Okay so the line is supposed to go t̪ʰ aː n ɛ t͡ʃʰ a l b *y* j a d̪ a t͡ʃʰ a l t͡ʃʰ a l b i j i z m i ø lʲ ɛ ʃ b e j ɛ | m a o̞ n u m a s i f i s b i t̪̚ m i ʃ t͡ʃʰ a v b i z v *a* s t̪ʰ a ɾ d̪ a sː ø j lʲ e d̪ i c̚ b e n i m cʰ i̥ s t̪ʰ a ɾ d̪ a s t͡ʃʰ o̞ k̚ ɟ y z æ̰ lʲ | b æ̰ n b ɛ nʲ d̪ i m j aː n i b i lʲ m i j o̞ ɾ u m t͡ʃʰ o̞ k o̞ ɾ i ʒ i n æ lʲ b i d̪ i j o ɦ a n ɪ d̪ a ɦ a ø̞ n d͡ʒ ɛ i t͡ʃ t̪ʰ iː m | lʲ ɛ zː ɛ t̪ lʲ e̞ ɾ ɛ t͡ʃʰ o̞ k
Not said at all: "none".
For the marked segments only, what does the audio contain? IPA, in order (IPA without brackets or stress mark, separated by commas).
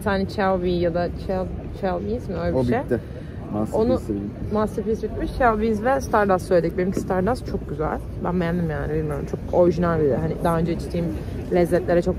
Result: i, ɛ